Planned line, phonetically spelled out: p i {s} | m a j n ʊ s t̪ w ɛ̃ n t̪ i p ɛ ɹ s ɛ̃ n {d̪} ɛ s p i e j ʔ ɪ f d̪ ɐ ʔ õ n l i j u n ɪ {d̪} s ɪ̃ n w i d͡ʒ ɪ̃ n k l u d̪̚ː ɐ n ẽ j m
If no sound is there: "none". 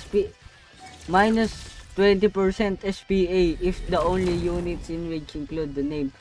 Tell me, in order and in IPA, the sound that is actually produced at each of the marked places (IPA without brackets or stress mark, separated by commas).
none, t̪, t̪